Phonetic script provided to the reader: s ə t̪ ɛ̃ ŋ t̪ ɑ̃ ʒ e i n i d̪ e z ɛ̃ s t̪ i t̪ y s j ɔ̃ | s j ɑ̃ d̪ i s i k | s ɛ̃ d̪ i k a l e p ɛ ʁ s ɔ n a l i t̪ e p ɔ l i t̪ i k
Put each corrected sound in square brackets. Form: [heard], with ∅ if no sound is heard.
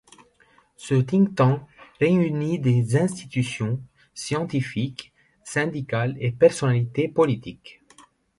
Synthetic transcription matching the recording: s ə t̪ [ĩ] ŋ t̪ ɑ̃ [ʁ] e [y] n i d̪ e z ɛ̃ s t̪ i t̪ y s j ɔ̃ | s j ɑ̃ [t̪] i [f] i k | s ɛ̃ d̪ i k a l e p ɛ ʁ s ɔ n a l i t̪ e p ɔ l i t̪ i k